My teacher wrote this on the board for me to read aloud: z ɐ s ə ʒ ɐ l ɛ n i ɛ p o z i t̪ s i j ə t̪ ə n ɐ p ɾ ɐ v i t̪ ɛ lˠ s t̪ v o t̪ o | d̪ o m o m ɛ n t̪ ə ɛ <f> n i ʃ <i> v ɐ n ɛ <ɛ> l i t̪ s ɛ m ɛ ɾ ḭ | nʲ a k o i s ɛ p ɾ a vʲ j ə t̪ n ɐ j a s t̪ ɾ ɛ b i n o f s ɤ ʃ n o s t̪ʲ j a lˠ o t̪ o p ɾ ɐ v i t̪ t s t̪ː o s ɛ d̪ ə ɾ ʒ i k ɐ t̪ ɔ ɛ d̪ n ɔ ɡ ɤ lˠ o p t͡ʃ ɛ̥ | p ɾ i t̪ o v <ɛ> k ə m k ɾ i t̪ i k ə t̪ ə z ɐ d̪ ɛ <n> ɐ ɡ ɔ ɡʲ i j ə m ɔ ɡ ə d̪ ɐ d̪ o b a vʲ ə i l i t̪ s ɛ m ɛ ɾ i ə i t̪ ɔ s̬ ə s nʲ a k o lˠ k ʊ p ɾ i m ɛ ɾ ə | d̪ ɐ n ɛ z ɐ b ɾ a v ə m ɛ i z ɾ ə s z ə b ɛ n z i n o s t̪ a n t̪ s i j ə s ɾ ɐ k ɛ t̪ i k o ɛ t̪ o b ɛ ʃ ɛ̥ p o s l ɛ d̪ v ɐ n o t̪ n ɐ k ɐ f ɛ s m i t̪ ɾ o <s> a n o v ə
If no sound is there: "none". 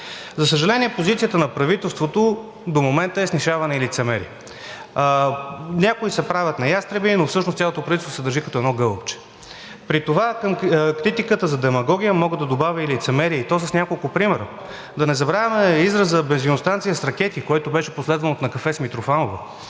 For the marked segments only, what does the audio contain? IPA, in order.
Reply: s, a, i, a, m, f

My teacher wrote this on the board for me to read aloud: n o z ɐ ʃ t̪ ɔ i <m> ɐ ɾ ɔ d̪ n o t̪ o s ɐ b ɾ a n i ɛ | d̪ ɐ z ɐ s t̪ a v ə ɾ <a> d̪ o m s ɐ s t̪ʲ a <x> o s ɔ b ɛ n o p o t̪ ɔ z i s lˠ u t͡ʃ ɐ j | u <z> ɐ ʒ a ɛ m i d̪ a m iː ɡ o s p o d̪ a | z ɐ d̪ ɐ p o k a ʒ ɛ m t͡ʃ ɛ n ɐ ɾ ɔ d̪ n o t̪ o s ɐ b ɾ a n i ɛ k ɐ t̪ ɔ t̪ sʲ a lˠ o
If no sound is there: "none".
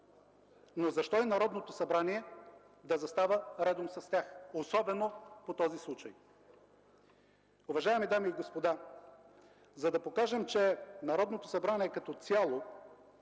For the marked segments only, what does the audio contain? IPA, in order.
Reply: n, ɛ, x, v

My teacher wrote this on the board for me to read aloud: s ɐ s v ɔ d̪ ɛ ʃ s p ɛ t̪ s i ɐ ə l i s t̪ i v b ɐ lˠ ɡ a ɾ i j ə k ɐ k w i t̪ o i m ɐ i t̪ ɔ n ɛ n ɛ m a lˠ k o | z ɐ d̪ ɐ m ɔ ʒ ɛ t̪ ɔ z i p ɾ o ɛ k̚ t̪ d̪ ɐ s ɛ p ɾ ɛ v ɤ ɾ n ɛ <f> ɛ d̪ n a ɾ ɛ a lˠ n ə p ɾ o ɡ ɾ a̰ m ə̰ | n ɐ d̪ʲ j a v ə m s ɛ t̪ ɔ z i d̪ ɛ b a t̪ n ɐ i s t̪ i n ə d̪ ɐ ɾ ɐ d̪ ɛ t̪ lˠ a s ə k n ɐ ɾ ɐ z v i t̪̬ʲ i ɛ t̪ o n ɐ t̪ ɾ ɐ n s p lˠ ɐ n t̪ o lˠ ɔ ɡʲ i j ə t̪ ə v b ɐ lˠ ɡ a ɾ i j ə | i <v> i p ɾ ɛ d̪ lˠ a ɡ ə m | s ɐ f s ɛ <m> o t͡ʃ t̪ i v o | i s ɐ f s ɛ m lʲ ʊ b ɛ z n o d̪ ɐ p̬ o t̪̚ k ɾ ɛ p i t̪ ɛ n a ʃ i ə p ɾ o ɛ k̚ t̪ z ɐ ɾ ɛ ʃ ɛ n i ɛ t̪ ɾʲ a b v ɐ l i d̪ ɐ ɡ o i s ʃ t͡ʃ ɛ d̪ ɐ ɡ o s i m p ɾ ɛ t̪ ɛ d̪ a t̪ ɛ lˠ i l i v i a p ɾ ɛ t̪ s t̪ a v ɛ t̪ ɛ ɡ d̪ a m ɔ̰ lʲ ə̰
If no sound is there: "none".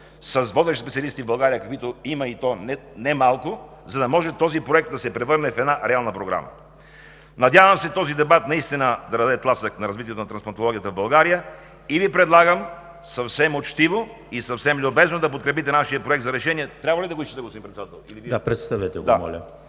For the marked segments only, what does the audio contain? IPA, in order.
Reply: f, v, m

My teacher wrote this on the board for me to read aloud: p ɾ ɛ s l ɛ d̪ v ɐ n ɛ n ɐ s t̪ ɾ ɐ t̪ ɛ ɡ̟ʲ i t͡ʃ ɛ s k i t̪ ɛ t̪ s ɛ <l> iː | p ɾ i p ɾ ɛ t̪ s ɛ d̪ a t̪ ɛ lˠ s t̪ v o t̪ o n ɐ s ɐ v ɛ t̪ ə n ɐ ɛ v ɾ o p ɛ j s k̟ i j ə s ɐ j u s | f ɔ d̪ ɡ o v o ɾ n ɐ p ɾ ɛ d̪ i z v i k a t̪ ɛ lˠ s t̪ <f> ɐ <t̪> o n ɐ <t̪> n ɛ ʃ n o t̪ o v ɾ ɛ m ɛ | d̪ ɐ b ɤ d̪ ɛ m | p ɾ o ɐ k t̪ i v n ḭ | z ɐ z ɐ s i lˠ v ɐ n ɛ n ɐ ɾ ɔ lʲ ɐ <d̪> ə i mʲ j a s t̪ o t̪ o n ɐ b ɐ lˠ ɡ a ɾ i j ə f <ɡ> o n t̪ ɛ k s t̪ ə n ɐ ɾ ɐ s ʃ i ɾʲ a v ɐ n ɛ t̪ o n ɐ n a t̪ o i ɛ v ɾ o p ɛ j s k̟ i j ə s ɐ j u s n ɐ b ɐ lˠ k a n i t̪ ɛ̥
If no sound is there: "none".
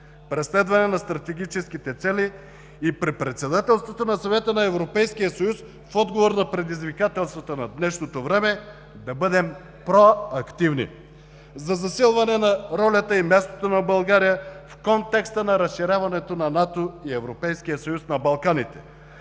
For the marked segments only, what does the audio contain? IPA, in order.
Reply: l, v, t̪, d̪, t̪, k

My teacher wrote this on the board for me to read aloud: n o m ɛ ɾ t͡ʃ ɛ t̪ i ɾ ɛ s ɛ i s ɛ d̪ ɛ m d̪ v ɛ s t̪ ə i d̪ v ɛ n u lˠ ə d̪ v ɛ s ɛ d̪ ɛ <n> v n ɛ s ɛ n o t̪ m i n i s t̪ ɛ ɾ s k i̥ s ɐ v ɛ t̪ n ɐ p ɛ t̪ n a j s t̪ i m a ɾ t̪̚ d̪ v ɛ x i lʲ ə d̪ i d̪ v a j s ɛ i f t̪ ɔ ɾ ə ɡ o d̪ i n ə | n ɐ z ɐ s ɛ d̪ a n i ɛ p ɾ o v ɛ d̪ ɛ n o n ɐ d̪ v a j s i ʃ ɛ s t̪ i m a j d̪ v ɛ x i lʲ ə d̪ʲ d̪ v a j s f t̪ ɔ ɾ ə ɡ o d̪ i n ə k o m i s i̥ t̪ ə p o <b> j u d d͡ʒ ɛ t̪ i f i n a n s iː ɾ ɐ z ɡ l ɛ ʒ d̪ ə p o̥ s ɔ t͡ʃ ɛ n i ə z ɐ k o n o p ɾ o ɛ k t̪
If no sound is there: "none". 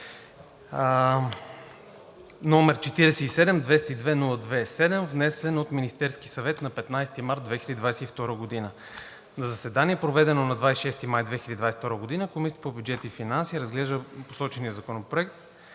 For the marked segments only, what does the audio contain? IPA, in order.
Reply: m, b

